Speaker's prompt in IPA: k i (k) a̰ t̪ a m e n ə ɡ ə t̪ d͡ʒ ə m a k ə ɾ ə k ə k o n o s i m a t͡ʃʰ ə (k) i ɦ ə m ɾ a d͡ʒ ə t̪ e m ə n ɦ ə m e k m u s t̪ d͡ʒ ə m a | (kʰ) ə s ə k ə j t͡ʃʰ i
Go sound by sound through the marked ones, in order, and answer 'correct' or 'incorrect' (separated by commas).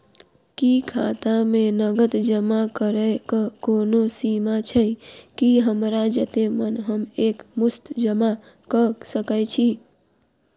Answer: incorrect, correct, incorrect